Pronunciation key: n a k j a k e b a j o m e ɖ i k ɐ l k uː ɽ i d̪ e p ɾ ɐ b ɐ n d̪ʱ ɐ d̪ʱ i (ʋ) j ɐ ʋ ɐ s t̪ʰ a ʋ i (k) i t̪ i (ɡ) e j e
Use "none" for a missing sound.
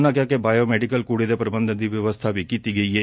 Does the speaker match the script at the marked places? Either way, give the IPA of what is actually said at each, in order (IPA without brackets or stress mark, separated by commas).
ʋ, k, ɡ